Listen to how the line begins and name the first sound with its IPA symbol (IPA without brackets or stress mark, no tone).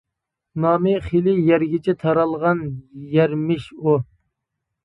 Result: n